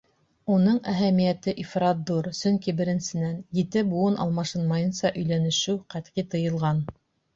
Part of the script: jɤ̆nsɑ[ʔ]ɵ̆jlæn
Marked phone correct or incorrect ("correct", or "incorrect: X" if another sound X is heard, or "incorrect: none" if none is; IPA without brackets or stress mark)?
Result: correct